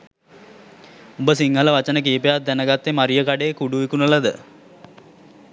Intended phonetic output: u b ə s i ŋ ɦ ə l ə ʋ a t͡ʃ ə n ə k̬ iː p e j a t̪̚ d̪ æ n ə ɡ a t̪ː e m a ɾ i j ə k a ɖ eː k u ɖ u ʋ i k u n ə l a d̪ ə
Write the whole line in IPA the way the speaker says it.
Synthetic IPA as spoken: u b ə s i ŋ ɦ ə l ə ʋ a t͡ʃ ə n ə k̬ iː p e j a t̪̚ d̪ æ n ə ɡ a t̪ː e m a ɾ i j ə k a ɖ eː k u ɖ u ʋ i k u n ə l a d̪ ə